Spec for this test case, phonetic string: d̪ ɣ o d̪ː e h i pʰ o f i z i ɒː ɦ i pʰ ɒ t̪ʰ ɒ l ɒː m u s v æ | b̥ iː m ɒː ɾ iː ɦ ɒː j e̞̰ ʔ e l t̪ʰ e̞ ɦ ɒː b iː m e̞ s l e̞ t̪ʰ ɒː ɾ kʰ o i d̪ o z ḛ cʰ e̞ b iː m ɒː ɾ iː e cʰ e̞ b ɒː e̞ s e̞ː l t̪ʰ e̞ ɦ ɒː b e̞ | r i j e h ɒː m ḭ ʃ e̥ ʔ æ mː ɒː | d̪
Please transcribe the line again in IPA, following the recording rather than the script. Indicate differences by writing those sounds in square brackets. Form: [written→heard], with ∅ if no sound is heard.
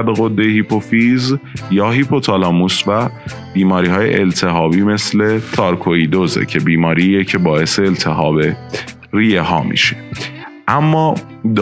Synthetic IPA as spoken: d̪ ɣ o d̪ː e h i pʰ o f i z [i→j] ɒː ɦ i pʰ [ɒ→o] t̪ʰ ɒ l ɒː m u s v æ | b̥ iː m ɒː ɾ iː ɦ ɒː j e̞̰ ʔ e l t̪ʰ e̞ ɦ ɒː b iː m e̞ s l e̞ t̪ʰ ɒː ɾ kʰ o i d̪ o z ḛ cʰ e̞ b iː m ɒː ɾ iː e cʰ e̞ b ɒː e̞ s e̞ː l t̪ʰ e̞ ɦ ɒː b e̞ | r i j e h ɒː m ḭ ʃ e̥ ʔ æ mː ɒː | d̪